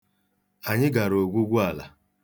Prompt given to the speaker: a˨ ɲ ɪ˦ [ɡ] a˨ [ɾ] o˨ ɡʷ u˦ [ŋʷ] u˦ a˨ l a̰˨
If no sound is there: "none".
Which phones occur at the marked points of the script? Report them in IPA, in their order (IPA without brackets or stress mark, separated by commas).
ɡ, ɾ, ɡʷ